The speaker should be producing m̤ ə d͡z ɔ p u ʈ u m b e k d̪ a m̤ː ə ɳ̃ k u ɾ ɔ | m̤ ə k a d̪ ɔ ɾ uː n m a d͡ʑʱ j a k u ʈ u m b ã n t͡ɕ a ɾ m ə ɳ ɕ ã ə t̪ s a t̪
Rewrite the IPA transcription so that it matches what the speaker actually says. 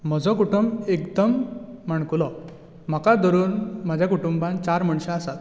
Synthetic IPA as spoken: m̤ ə d͡z ɔ k u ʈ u m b e k d̪ ə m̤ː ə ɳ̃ k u l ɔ | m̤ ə k a d̪ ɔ ɾ uː n m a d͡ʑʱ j a k u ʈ u m b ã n t͡ɕ a ɾ m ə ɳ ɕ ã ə s a t̪